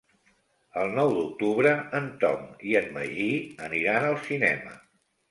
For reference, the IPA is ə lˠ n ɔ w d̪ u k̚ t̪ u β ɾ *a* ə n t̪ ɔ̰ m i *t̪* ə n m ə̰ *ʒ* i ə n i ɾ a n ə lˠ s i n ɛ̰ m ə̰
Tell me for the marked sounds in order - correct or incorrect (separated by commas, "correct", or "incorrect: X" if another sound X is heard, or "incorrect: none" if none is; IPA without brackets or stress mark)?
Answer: incorrect: ə, incorrect: none, correct